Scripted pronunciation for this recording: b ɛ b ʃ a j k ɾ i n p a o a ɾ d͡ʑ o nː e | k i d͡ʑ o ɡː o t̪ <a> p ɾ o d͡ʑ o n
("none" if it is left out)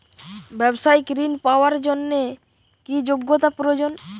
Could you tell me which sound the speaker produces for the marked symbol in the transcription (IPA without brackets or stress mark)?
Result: a